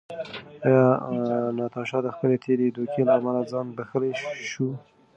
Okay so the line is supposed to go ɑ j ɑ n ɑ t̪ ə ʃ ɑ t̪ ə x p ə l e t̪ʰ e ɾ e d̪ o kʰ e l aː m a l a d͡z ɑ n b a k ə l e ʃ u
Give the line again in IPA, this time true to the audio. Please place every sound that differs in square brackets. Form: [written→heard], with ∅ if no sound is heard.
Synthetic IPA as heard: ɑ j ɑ n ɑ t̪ [ə→ɑ] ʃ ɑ [t̪→d̪] ə x p ə l e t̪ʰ e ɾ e d̪ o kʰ e l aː m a l a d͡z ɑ n b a [k→x] ə l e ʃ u